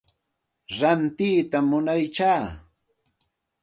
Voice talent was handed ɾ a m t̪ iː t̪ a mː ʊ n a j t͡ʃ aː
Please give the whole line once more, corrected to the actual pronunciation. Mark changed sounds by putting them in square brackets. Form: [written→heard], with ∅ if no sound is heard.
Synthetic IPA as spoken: ɾ a [m→n] t̪ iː t̪ a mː ʊ n a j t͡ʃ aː